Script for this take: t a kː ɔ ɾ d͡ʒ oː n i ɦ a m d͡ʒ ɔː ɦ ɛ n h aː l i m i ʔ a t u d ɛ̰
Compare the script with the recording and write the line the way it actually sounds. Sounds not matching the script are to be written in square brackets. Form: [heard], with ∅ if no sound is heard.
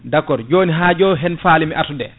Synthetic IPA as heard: [d] a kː ɔ ɾ d͡ʒ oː n i ɦ a [∅] d͡ʒ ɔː ɦ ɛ n [f] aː l i m i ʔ a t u d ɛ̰